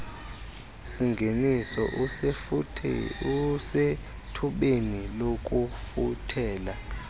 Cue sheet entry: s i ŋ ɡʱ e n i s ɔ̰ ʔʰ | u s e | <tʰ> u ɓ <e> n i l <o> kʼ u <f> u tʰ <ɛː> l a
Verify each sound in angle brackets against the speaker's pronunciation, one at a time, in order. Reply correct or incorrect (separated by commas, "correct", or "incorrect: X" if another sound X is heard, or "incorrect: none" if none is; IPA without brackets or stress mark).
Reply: correct, correct, correct, correct, correct